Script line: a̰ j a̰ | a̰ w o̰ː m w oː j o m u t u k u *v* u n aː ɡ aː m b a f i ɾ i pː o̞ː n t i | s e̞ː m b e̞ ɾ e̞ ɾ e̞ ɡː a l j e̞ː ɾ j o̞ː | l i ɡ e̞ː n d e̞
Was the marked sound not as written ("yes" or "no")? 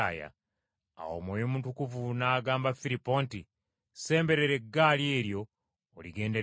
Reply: no